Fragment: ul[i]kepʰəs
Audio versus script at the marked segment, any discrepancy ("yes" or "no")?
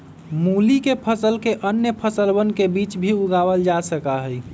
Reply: no